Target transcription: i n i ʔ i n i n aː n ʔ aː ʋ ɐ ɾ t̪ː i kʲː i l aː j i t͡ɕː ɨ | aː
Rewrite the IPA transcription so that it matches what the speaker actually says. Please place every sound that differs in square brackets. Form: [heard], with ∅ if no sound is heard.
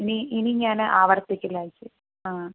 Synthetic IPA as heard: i n i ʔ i n i [ɲ] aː n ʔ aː ʋ ɐ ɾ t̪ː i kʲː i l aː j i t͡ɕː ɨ | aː